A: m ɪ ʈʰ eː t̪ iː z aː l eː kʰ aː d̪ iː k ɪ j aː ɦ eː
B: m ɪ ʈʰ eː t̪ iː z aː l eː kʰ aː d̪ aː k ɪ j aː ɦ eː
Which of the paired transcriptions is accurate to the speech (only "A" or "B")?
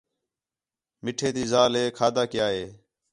B